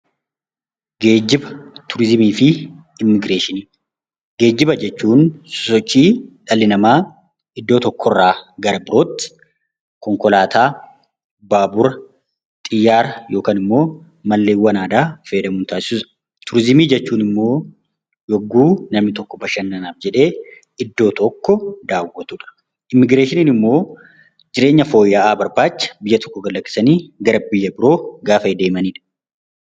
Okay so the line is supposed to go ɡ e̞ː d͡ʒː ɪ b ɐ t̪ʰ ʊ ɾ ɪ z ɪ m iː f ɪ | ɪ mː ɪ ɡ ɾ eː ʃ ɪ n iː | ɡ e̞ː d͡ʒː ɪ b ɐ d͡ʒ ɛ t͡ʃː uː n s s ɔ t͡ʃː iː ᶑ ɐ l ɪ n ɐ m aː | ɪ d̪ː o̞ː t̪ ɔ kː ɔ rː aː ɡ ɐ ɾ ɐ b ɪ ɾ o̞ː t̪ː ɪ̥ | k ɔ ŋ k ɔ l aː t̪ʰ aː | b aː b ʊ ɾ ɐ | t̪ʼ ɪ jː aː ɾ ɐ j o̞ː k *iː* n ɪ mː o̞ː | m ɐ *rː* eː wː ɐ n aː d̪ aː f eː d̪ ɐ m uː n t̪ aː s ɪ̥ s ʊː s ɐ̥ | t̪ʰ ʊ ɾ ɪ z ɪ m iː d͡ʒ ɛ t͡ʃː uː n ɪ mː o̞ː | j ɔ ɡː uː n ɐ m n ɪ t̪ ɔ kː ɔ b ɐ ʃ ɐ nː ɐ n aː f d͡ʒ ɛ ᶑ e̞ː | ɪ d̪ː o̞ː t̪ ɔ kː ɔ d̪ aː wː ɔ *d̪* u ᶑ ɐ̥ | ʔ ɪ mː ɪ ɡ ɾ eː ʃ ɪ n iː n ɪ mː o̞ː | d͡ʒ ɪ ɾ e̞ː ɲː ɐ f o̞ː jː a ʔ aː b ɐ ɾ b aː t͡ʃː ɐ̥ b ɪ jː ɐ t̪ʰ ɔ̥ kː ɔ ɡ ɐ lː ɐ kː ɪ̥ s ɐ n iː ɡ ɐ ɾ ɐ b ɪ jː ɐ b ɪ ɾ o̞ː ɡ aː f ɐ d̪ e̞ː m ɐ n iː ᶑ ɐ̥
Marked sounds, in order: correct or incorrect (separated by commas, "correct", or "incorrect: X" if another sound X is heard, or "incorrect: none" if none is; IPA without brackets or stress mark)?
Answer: incorrect: aː, incorrect: lː, incorrect: t̪